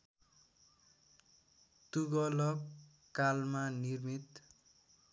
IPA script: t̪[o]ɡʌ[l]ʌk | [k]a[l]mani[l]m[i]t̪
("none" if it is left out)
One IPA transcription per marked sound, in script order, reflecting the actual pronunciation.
u, l, k, l, r, i

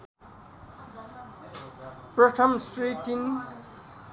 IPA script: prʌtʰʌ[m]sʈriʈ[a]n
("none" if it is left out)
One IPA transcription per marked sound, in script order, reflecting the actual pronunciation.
m, i

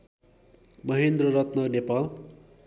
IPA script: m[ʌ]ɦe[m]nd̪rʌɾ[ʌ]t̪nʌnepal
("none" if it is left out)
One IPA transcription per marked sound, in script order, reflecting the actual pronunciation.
ʌ, none, ʌ

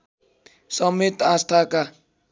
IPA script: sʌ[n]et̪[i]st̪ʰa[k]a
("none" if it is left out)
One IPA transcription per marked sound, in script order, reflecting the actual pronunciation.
m, a, k

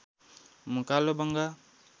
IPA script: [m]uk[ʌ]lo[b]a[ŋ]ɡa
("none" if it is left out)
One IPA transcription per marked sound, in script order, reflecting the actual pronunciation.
m, a, b, ŋ

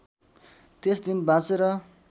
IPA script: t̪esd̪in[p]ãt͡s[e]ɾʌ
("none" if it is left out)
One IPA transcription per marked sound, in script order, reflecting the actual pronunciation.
b, e

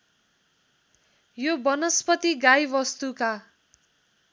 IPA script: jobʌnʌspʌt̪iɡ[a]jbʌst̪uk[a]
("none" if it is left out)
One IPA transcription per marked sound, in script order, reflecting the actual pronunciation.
a, a

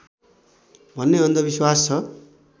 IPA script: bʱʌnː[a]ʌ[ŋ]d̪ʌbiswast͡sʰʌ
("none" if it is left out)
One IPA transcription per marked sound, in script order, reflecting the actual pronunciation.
e, n

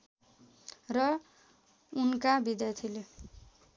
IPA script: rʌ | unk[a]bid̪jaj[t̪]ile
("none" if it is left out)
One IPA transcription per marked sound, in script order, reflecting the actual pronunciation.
a, t̪ʰ

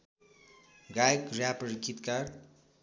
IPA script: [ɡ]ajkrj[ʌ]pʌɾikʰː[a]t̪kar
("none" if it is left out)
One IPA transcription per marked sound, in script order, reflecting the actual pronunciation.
ɡ, a, i

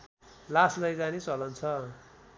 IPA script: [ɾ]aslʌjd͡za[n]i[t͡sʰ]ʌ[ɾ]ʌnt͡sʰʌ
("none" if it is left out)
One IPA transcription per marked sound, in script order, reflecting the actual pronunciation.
l, n, t͡s, l

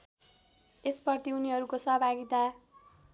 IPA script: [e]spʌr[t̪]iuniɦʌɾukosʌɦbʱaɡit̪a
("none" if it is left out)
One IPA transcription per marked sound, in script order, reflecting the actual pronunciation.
e, t̪

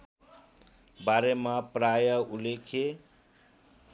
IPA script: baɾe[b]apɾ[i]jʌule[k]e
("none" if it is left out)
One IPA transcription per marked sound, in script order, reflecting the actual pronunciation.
m, a, kʰ

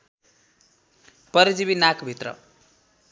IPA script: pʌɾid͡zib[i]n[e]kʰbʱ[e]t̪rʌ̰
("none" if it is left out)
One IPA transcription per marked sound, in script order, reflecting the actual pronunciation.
i, a, i

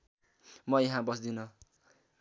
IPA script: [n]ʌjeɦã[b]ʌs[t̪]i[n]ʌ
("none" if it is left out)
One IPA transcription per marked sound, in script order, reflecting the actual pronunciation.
m, b, d̪, n

